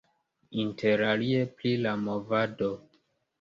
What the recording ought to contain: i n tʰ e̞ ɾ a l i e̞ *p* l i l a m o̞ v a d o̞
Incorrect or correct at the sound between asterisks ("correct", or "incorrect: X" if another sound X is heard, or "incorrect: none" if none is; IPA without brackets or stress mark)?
correct